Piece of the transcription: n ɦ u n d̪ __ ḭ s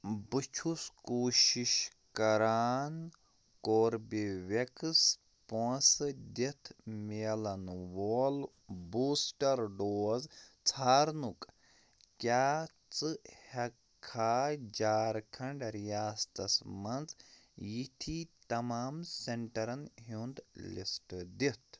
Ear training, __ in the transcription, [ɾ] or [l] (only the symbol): l